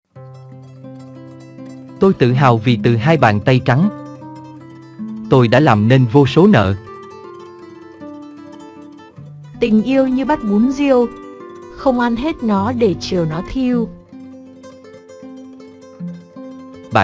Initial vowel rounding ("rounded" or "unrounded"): rounded